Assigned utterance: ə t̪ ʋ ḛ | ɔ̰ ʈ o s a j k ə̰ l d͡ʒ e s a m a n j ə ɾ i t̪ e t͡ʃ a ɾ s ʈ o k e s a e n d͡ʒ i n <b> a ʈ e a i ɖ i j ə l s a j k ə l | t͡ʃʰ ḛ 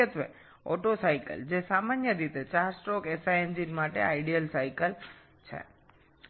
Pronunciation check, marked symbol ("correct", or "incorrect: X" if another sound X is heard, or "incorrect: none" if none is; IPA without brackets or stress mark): incorrect: m